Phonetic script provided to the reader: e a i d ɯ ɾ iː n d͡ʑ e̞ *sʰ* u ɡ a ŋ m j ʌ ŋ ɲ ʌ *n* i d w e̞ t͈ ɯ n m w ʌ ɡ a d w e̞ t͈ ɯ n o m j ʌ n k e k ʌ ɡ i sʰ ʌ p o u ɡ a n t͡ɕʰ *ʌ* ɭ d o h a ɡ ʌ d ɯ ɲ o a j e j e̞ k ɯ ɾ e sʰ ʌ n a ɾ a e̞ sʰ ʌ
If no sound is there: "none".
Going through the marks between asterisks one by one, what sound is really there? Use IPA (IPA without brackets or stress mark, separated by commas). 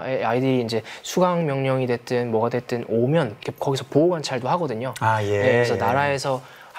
sʰ, ŋ, a